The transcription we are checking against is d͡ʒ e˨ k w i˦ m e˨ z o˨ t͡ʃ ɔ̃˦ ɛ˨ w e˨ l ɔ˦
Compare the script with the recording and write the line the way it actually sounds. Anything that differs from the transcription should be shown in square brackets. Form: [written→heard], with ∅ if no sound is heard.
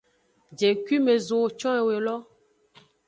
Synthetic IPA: d͡ʒ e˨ k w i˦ m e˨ z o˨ t͡ʃ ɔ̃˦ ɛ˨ w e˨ l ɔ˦